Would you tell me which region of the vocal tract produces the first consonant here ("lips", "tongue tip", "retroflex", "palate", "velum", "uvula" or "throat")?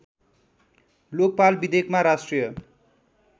tongue tip